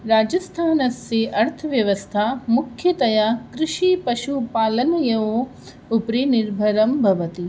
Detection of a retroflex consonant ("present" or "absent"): absent